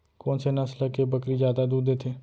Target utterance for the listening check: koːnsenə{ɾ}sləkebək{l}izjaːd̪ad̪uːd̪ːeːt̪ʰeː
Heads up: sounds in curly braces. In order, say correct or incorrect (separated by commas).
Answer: incorrect, incorrect